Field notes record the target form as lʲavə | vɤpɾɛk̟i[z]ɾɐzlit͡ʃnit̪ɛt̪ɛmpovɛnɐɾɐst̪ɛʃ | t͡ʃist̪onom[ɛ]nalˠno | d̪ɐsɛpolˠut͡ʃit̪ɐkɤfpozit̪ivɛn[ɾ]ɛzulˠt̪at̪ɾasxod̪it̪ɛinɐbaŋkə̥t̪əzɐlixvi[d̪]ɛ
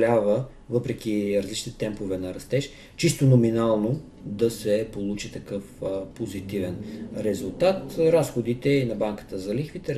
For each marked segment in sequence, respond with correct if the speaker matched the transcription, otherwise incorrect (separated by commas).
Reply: incorrect, incorrect, correct, incorrect